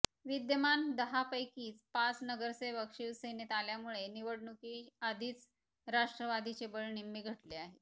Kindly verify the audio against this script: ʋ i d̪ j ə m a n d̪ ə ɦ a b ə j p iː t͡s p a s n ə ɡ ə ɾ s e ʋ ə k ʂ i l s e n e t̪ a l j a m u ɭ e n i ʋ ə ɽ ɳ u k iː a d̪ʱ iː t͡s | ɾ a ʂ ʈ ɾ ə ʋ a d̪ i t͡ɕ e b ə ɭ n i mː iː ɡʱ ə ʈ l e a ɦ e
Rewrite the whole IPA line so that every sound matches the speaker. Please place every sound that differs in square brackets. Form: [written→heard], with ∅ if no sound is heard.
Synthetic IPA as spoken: ʋ i d̪ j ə m a n d̪ ə ɦ a [b→p] ə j [p→k] iː t͡s p a [s→t͡s] n ə ɡ ə ɾ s e ʋ ə k ʂ i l s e n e t̪ a l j a m u ɭ e n i ʋ ə ɽ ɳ u k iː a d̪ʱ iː t͡s | ɾ a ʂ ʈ ɾ ə ʋ a d̪ i t͡ɕ e b ə ɭ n i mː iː ɡʱ ə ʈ l e a ɦ e